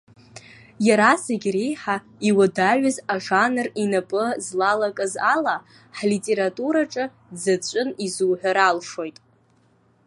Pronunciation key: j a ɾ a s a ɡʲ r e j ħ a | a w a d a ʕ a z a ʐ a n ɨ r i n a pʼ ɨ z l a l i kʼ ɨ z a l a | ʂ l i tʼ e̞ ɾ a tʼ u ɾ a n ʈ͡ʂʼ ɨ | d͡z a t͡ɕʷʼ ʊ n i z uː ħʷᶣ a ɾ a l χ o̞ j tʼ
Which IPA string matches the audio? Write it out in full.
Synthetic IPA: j a ɾ a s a ɡʲ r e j ħ a | i w a d a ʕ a z a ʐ a n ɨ r i n a pʼ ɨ z l a l a kʼ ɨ z a l a | ħ l i tʼ e̞ ɾ a tʼ u ɾ a ʈ͡ʂʼ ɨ | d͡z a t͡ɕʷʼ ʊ n i z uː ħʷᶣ a ɾ a l ʂ o̞ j tʼ